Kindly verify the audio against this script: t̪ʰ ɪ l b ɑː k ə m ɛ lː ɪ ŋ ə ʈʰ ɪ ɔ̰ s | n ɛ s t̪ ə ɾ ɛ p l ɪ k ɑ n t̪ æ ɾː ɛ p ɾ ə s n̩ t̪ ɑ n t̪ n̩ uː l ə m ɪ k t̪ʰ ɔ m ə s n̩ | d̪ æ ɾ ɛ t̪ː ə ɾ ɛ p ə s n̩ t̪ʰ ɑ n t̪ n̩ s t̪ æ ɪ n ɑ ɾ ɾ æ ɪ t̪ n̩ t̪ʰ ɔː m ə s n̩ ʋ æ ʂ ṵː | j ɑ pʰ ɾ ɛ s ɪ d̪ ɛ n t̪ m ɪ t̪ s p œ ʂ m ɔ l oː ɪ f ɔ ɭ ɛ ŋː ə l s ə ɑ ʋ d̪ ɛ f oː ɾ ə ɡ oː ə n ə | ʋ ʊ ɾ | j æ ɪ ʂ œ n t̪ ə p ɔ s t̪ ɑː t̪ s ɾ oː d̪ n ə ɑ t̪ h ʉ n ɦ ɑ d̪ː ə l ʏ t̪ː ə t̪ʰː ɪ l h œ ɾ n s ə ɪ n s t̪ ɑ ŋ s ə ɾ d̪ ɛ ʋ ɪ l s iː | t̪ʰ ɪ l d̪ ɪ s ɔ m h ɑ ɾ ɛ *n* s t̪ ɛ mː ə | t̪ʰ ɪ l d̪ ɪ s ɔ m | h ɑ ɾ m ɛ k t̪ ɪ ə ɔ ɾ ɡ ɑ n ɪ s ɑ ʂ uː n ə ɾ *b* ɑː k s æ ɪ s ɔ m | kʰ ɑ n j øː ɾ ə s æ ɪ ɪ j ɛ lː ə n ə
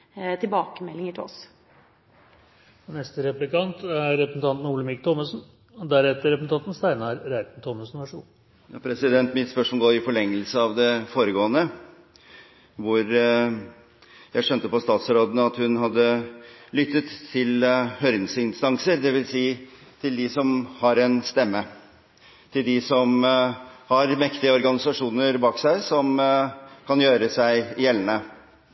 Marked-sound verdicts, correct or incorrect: correct, correct

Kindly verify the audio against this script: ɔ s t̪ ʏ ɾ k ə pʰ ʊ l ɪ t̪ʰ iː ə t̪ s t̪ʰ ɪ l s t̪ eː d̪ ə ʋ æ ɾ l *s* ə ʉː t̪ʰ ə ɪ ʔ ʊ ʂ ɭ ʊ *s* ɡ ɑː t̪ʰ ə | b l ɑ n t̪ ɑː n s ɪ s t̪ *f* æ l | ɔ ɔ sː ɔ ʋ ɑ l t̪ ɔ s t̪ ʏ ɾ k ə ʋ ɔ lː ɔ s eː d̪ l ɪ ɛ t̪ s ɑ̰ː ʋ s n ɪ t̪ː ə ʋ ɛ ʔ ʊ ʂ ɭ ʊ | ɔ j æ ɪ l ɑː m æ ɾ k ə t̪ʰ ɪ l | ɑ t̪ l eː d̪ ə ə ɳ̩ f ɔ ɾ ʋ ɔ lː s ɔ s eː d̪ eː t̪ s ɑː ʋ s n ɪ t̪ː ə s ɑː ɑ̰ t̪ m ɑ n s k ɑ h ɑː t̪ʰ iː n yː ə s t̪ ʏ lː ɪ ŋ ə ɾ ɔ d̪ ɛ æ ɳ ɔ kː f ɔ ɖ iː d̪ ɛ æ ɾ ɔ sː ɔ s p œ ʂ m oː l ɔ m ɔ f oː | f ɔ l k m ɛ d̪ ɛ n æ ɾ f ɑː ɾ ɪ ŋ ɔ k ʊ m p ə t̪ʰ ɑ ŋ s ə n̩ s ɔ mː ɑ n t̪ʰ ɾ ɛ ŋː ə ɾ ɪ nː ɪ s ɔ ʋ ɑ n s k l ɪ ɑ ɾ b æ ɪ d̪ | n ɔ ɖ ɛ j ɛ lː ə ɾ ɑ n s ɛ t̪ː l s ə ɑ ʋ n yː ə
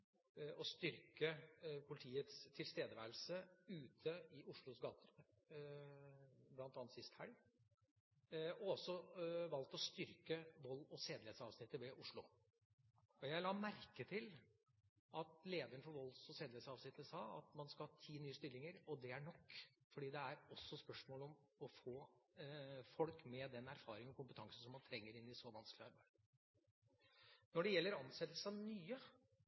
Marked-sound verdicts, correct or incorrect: correct, correct, incorrect

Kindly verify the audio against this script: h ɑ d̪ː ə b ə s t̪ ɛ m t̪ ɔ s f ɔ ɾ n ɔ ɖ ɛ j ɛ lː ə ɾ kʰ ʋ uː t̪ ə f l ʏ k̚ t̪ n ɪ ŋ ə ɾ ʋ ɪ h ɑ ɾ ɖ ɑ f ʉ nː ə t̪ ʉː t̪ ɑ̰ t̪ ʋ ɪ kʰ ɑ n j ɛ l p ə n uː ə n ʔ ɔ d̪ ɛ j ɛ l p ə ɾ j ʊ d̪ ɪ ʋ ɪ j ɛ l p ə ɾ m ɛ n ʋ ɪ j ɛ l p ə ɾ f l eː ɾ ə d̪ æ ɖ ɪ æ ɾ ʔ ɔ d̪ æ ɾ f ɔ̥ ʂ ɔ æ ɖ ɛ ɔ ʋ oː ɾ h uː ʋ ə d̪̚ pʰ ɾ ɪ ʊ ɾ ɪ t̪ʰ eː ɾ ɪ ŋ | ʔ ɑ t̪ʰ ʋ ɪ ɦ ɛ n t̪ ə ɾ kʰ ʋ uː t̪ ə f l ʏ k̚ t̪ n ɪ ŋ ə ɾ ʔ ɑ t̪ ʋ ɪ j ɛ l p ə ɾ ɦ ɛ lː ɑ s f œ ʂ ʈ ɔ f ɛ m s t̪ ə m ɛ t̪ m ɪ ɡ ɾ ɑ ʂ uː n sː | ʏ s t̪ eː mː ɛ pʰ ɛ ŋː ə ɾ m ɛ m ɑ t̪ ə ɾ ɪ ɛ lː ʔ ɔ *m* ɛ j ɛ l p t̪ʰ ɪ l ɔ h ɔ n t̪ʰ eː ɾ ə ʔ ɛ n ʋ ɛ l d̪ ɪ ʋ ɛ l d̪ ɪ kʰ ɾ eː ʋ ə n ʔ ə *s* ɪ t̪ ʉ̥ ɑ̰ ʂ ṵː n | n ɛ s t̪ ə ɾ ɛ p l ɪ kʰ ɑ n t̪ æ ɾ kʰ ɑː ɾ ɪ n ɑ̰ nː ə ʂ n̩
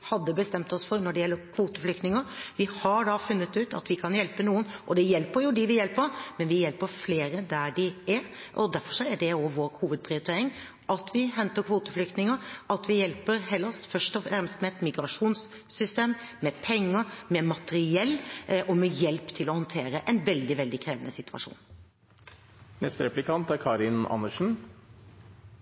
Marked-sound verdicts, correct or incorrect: correct, correct

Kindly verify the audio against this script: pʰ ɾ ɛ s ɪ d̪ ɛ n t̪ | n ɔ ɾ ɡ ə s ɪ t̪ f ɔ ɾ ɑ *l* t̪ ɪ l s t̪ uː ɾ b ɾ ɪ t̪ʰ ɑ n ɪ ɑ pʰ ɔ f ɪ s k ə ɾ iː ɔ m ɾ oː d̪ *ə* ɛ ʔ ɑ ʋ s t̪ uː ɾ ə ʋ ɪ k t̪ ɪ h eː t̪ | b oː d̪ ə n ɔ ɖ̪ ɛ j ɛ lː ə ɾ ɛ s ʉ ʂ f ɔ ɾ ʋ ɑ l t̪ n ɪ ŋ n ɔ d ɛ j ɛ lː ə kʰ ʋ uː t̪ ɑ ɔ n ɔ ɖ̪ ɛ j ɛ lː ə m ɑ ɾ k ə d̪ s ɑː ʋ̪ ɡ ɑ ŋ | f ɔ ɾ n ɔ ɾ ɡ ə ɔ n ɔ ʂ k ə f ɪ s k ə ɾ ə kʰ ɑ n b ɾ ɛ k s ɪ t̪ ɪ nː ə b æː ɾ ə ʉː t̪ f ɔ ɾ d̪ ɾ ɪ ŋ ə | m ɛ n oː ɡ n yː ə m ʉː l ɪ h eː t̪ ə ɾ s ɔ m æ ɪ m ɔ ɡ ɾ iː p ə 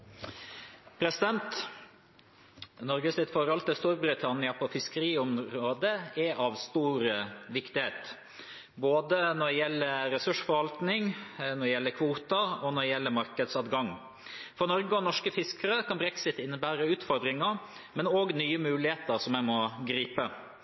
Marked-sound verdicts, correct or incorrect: correct, correct

